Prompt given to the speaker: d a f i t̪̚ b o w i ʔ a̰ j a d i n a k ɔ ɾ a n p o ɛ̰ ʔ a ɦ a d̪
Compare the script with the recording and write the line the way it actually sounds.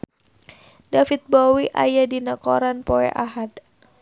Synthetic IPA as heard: d a f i t̪̚ b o w i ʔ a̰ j a d i n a k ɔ ɾ a n p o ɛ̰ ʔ a ɦ a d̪